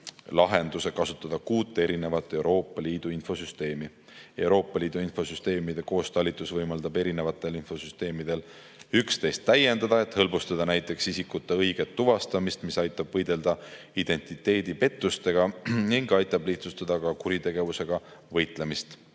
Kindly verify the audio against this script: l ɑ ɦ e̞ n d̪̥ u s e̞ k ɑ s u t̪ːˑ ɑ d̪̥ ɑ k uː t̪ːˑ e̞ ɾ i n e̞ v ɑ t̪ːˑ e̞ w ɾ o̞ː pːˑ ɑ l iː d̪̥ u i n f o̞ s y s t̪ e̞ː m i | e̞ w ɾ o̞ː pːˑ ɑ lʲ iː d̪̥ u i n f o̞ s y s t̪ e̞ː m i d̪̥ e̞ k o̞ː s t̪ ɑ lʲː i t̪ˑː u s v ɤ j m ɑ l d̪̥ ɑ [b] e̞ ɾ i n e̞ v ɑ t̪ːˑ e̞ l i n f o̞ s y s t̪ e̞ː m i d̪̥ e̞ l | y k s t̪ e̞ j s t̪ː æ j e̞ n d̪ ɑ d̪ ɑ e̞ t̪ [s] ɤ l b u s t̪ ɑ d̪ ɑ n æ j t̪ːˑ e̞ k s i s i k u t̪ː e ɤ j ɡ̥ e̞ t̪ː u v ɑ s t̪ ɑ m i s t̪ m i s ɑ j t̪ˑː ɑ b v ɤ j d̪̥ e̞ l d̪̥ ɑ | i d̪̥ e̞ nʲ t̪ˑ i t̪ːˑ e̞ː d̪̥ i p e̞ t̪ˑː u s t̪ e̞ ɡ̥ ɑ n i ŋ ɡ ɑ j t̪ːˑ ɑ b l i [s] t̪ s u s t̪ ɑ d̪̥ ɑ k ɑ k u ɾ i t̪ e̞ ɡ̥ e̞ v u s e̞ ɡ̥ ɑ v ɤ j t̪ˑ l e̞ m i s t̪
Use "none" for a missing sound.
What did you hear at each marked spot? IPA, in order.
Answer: b, h, h

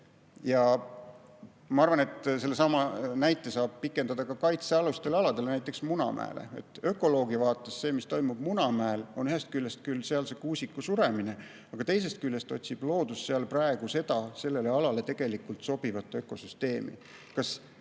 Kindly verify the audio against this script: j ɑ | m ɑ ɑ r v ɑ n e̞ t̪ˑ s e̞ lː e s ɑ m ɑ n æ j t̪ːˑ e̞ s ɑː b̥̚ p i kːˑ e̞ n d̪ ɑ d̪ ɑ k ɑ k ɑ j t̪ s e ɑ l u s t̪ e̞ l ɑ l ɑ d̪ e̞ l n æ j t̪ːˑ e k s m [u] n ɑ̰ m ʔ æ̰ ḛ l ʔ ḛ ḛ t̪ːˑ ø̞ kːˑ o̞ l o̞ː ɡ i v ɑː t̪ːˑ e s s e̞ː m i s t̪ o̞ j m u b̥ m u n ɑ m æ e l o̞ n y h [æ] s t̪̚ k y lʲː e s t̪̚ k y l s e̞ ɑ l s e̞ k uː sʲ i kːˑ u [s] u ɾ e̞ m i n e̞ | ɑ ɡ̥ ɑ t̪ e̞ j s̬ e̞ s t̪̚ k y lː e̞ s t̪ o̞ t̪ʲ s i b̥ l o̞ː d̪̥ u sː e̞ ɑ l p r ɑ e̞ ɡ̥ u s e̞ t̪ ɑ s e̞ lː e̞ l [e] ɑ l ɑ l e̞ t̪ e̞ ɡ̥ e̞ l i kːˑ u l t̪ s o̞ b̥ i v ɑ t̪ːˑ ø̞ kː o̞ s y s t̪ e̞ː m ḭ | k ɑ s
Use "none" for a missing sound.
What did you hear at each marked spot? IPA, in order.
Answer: u, e, s, e

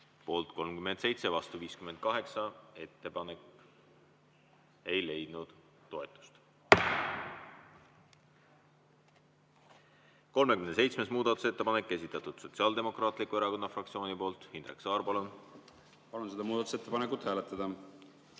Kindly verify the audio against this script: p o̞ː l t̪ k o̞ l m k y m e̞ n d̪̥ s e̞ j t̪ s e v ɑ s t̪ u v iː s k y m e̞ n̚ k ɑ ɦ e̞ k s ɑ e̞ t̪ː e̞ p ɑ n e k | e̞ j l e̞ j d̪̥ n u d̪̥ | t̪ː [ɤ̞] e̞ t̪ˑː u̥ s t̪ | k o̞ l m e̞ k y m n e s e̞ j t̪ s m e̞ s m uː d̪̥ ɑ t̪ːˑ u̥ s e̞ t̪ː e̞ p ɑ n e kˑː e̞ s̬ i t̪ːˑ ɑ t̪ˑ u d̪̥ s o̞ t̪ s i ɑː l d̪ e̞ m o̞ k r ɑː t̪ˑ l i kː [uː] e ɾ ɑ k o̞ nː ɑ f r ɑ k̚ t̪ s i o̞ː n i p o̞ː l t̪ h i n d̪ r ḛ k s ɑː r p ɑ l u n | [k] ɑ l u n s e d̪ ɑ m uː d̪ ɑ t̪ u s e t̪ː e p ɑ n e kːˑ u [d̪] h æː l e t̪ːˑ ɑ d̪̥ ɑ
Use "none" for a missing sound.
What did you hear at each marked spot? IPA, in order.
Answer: o̞, u, p, t̪

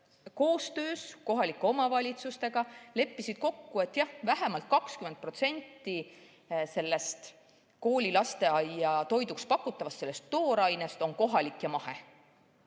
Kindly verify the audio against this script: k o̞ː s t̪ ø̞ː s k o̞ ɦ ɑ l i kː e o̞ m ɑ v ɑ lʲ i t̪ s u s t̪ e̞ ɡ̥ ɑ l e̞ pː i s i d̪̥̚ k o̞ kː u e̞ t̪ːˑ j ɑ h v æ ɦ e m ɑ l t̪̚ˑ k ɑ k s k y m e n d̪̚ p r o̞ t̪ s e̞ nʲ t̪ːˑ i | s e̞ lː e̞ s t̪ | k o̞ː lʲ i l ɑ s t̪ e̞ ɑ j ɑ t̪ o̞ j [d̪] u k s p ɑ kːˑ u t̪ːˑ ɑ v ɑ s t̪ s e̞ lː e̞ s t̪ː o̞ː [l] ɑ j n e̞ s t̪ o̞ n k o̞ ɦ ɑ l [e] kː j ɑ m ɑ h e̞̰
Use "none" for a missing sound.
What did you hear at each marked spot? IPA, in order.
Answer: d̪, ɾ, i

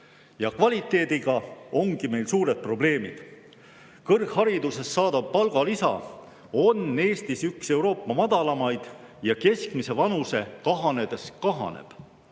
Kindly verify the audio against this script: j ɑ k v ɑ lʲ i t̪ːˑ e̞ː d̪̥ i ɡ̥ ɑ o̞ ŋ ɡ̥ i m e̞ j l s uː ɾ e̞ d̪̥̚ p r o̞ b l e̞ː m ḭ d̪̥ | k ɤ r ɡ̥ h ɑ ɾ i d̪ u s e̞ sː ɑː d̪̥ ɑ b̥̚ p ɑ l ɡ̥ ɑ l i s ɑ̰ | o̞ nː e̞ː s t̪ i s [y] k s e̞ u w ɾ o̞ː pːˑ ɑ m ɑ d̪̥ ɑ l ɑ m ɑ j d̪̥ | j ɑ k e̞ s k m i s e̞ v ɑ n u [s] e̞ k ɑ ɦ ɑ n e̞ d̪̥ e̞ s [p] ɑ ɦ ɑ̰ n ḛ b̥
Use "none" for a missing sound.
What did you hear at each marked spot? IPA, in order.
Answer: y, s, k

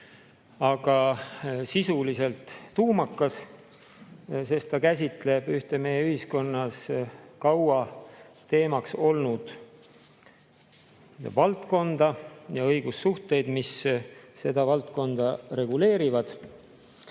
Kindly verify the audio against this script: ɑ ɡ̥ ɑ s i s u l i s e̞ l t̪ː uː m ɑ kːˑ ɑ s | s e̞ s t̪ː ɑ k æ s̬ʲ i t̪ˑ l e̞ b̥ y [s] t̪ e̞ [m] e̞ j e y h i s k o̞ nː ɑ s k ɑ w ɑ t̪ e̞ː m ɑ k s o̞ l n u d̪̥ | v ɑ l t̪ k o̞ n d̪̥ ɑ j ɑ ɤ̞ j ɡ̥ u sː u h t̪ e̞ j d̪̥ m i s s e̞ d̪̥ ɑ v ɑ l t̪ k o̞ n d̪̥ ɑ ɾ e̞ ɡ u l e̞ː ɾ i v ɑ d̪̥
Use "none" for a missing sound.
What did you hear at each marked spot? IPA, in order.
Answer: h, m

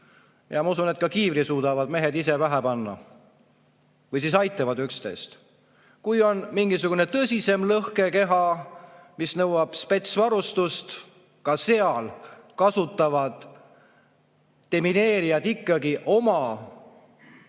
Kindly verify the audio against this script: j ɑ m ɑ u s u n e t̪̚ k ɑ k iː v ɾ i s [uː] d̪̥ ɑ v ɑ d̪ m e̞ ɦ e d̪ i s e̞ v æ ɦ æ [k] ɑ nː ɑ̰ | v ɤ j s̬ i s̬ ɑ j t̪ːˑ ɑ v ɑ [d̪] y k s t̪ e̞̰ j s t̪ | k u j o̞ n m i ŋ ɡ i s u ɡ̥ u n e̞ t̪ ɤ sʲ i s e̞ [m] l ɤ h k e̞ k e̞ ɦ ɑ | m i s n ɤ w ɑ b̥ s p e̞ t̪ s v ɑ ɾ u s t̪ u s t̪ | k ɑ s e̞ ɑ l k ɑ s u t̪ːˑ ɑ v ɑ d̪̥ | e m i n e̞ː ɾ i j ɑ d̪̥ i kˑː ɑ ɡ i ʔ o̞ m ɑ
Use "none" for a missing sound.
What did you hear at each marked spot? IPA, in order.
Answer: uː, p, d̪, m

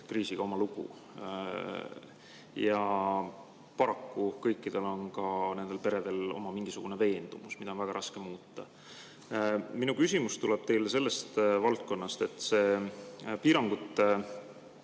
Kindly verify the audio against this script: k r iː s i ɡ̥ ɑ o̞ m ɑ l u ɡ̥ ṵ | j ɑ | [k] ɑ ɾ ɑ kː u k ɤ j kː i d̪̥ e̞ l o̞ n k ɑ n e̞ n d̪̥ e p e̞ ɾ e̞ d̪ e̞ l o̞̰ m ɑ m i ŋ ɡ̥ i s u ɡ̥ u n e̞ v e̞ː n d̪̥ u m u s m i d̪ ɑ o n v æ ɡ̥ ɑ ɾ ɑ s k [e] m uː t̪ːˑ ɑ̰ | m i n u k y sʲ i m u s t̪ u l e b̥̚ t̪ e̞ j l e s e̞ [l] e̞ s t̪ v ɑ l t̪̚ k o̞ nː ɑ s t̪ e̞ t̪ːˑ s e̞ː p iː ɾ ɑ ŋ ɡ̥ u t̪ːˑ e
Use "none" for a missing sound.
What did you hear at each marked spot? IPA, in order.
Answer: p, e, lː

